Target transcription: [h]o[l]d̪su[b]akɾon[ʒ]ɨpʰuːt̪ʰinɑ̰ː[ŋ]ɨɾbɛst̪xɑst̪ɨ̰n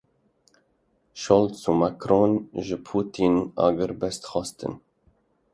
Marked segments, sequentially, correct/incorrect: incorrect: ʃ, correct, incorrect: m, correct, incorrect: ɡ

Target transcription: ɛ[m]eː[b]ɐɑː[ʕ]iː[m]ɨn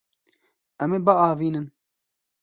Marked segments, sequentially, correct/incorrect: correct, correct, incorrect: v, incorrect: n

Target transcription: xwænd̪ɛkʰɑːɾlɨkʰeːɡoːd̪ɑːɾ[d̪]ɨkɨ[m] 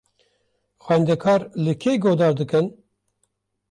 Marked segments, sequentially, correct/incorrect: correct, incorrect: n

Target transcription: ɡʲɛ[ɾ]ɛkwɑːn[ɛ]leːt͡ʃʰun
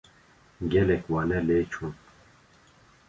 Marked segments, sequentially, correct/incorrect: incorrect: l, correct

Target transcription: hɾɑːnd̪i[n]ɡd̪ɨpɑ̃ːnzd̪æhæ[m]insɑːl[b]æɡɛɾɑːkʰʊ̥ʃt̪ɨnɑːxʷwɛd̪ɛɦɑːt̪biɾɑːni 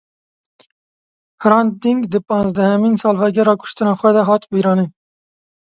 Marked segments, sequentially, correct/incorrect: incorrect: ŋ, correct, incorrect: v

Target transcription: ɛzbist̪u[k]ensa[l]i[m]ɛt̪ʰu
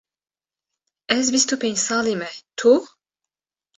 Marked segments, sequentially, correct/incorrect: incorrect: p, correct, correct

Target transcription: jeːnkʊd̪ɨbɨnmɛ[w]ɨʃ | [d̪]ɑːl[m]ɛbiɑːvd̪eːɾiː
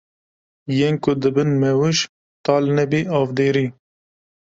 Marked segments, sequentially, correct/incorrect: correct, incorrect: t̪, incorrect: n

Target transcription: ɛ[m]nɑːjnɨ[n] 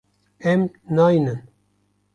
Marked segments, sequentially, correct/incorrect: correct, correct

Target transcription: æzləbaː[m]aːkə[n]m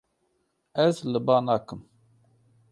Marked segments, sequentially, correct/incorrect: incorrect: n, incorrect: none

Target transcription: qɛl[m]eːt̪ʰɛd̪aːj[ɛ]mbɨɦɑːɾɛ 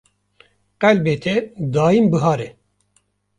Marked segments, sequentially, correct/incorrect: incorrect: b, incorrect: i

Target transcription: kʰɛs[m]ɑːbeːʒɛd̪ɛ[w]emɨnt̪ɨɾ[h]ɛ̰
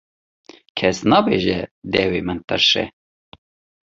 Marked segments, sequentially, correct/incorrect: incorrect: n, correct, incorrect: ʃ

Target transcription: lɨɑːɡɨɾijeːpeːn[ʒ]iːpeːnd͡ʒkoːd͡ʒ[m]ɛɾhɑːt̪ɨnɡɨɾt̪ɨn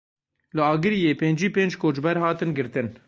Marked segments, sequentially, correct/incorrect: incorrect: d͡ʒ, incorrect: b

